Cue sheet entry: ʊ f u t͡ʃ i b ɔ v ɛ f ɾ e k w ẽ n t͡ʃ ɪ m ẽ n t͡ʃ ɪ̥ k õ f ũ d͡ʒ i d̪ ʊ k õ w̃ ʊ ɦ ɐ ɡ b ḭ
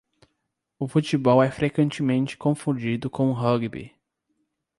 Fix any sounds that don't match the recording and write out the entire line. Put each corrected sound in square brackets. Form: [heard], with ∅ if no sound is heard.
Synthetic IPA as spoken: ʊ f u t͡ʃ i b ɔ [w] ɛ f ɾ e k w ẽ n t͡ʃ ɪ m ẽ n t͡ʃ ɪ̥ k õ f ũ d͡ʒ i d̪ ʊ k õ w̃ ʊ ɦ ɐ ɡ b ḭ